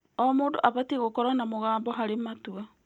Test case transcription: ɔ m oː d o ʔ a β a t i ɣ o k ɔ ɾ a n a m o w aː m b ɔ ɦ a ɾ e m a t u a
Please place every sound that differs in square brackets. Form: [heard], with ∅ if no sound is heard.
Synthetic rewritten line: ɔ m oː d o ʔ a β a t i ɣ o k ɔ ɾ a n a m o [ɣ] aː m b ɔ ɦ a ɾ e m a t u a